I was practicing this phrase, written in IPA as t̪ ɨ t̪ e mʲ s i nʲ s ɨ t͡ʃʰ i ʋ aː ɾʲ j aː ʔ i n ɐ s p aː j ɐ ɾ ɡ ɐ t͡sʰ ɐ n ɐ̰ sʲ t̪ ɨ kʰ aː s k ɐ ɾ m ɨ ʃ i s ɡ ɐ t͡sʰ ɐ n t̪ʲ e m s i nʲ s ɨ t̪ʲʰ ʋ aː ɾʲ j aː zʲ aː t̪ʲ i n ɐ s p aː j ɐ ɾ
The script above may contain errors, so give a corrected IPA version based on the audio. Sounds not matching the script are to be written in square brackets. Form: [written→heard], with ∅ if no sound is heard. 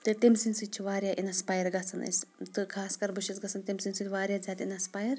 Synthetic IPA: t̪ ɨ t̪ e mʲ s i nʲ s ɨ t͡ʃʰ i ʋ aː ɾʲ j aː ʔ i n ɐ s p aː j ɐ ɾ ɡ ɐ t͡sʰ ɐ n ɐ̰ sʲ t̪ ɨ kʰ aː s k ɐ ɾ [m→b] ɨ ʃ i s ɡ ɐ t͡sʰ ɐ n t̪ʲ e m s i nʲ s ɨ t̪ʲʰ ʋ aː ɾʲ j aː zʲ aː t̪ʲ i n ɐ s p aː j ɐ ɾ

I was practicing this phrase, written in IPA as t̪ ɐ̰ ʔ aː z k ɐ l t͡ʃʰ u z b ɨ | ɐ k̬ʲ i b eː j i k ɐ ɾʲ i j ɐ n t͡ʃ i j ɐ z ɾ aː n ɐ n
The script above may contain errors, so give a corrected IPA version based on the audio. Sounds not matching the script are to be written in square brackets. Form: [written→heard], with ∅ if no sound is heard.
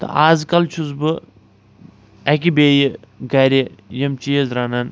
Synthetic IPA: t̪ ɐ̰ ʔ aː z k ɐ l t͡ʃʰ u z b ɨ | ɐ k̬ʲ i b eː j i [k→ɡ] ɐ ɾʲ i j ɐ [n→m] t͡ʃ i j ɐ z ɾ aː n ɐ n

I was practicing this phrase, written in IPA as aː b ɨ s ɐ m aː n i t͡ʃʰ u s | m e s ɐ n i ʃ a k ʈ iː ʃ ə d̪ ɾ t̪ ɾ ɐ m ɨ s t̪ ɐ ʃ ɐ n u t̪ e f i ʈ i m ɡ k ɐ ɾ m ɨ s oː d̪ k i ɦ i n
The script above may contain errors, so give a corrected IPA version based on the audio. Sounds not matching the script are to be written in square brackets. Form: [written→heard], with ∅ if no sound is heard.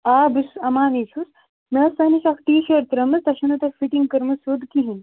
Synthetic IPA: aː b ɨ s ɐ m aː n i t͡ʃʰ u s | m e s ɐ n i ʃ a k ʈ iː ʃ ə [d̪→∅] ɾ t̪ ɾ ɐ m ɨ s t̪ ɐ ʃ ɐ n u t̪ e f i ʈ i [m→ŋ] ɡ k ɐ ɾ m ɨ s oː d̪ k i ɦ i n

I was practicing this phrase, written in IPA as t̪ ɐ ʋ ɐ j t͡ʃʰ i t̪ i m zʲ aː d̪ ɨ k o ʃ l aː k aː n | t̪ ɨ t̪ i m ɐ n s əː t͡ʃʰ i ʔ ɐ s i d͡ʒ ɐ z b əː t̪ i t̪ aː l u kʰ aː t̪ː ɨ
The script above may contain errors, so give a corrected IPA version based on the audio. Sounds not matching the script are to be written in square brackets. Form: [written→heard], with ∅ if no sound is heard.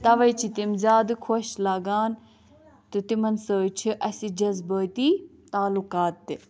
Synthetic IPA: t̪ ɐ ʋ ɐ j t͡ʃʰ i t̪ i m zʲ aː d̪ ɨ [k→kʰ] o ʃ l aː [k→ɡ] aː n | t̪ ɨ t̪ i m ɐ n s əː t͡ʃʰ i ʔ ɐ s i d͡ʒ ɐ z b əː t̪ i t̪ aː l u [kʰ→k] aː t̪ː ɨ

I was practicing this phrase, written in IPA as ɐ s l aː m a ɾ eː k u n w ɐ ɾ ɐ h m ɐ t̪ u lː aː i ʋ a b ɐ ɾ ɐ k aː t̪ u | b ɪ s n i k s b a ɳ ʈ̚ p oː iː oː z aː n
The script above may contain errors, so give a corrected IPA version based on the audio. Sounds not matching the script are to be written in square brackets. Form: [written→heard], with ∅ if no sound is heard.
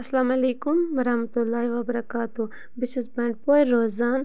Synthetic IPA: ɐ s l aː m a [ɾ→l] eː k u [n→m] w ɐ ɾ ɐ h m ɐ t̪ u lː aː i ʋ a b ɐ ɾ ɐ k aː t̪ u | b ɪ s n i [k→∅] s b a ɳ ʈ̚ p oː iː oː z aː n

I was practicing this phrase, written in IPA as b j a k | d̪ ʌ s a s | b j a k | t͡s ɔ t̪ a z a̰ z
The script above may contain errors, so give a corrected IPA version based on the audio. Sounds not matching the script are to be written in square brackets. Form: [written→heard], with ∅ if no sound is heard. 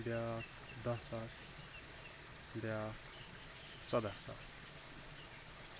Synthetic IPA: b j a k | d̪ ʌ s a s | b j a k | t͡s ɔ [t̪→d̪] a [z→s] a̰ [z→s]

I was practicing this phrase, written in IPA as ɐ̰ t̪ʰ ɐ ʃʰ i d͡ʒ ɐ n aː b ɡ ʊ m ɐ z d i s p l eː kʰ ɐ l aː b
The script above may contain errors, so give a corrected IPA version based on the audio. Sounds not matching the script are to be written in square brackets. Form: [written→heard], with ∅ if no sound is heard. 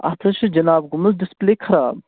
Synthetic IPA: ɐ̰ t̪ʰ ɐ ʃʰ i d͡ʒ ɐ n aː b ɡ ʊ m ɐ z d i s p l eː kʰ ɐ [l→ɾ] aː b

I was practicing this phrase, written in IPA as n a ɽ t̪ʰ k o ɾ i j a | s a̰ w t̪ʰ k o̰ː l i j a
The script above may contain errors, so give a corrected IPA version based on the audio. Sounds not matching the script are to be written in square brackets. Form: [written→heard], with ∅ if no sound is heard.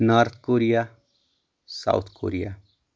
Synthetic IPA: n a [ɽ→ɾ] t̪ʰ k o ɾ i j a | s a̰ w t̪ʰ k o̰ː [l→ɾ] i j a

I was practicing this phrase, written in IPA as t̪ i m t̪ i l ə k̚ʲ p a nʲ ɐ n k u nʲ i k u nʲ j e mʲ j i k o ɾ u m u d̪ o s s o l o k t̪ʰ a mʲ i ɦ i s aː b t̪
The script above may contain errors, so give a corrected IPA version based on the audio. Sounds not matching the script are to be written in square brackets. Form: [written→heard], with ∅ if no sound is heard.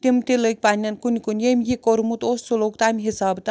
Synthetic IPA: t̪ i m t̪ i l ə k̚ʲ p a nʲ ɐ n k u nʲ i k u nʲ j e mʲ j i k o ɾ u m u [d̪→t̪] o s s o l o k [t̪ʰ→t̪] a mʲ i ɦ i s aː b t̪

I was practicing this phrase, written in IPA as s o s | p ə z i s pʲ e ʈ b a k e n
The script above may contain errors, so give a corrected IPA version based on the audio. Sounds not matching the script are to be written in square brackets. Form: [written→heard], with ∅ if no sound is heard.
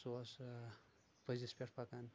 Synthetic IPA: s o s | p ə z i s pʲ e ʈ [b→p] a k [e→a] n

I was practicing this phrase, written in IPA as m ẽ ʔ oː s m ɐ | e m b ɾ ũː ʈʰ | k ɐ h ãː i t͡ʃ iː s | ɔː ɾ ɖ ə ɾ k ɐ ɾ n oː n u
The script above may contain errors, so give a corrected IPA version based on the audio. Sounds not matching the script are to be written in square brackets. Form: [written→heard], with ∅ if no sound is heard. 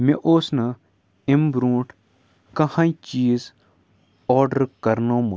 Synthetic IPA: m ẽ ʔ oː s [m→n] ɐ | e m b ɾ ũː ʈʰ | k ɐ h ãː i t͡ʃ iː [s→z] | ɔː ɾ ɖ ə ɾ k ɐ ɾ n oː [n→m] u

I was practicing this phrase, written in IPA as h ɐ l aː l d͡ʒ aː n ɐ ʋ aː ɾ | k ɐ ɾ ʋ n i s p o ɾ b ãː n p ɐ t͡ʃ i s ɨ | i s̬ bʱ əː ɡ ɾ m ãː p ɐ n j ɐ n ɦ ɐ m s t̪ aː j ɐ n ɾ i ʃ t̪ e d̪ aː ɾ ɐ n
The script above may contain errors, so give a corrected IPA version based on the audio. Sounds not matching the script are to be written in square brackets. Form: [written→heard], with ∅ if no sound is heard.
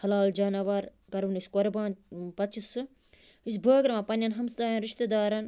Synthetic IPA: h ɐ l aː l d͡ʒ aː n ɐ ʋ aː ɾ | k ɐ ɾ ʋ n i s [p→k] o ɾ b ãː n p ɐ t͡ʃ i s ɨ | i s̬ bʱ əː ɡ ɾ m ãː p ɐ n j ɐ n ɦ ɐ m s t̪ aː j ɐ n ɾ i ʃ t̪ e d̪ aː ɾ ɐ n

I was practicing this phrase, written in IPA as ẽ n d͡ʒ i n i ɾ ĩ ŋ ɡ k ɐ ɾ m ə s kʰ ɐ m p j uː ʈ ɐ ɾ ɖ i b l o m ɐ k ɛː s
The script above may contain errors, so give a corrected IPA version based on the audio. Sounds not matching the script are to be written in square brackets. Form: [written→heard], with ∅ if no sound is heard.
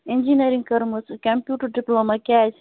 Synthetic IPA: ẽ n d͡ʒ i n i ɾ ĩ ŋ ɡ k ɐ ɾ m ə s [kʰ→k] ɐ m p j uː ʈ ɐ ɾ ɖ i [b→p] l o m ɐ k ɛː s

